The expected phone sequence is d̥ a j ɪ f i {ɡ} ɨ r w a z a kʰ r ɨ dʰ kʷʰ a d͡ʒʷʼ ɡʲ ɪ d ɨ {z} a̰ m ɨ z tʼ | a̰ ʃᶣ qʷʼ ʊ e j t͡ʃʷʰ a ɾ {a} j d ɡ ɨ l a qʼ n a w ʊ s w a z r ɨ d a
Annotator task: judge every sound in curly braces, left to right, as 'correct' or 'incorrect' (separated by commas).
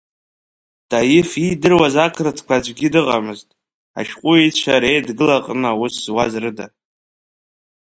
incorrect, incorrect, incorrect